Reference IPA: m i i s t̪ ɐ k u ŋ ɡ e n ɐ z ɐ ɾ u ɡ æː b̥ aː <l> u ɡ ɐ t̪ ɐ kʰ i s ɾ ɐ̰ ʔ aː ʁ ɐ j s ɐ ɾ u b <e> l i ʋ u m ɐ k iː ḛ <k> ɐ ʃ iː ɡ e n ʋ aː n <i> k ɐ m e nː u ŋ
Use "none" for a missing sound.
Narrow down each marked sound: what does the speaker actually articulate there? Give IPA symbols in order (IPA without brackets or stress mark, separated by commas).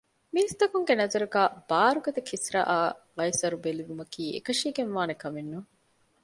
ɾ, e, k, e